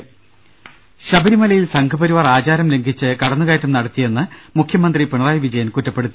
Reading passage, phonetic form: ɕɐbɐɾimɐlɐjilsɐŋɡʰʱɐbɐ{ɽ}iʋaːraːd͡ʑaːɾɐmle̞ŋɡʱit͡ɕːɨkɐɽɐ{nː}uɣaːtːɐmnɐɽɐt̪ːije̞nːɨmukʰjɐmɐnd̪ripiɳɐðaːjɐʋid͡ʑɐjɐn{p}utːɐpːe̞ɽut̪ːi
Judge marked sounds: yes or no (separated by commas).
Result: no, yes, no